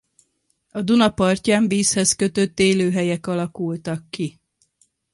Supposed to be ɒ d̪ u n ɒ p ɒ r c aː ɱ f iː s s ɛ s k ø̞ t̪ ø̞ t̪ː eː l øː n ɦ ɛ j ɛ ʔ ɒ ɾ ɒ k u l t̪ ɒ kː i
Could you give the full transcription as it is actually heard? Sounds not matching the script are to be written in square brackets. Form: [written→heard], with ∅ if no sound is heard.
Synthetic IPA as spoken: ɒ d̪ u n ɒ p ɒ r c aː ɱ [f→v] iː s [s→h] ɛ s k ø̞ t̪ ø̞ t̪ː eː l øː [n→∅] ɦ ɛ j ɛ [ʔ→k] ɒ [ɾ→l] ɒ k u l t̪ ɒ kː i